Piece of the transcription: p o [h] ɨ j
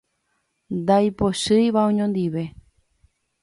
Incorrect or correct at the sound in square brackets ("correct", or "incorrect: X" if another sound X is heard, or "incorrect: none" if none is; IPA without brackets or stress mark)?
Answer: incorrect: ʃ